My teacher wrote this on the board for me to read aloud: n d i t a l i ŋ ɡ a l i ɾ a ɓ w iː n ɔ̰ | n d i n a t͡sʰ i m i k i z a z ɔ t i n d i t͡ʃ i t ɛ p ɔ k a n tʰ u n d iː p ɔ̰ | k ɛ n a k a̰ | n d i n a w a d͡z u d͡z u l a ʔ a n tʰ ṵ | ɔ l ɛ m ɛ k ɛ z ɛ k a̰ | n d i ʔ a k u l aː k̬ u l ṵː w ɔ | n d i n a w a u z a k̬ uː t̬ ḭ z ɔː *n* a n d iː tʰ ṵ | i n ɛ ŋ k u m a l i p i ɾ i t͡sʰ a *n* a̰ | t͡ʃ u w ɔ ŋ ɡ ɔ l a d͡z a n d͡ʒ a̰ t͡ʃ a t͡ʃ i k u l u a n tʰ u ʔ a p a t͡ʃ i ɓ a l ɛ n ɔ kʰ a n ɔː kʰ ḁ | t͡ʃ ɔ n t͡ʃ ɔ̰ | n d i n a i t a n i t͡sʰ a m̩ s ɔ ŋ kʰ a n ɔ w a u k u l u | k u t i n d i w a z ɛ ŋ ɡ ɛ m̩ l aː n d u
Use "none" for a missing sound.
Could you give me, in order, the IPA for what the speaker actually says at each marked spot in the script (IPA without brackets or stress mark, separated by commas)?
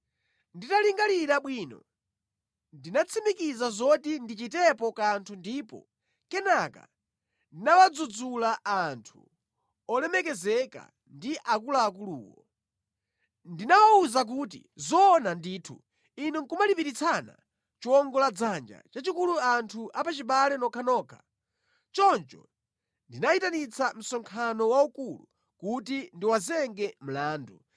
n, n